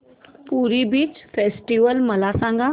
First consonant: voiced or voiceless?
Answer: voiceless